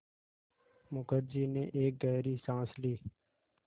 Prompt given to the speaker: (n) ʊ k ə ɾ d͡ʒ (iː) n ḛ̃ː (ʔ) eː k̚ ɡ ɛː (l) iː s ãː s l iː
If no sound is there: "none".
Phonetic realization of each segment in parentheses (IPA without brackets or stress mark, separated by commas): m, iː, ʔ, ɾ